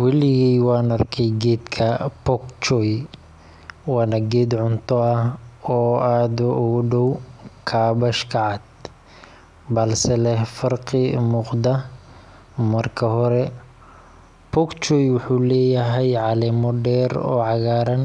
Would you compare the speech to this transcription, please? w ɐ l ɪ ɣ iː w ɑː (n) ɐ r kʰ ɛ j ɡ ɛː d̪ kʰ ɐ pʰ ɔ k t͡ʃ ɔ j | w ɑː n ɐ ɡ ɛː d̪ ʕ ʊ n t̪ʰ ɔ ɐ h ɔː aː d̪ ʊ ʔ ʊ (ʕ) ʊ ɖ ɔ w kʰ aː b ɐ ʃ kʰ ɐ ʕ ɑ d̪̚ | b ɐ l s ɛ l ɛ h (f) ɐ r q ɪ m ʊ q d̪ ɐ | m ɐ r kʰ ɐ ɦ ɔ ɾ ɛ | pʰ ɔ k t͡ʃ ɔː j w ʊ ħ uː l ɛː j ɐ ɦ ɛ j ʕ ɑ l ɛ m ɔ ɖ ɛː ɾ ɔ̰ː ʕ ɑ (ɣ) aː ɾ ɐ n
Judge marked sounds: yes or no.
yes, no, yes, yes

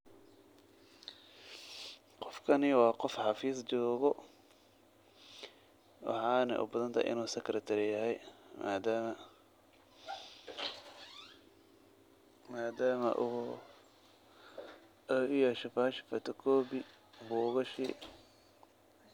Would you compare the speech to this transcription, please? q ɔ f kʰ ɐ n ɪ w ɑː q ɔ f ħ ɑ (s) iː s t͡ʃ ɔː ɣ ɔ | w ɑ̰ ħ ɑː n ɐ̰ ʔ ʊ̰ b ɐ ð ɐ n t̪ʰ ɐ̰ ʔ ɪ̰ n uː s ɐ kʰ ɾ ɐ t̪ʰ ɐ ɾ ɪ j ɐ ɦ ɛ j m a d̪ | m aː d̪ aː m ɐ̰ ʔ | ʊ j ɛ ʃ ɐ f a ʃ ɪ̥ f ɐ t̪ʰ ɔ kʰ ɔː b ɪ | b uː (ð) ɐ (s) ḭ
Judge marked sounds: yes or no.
no, no, no

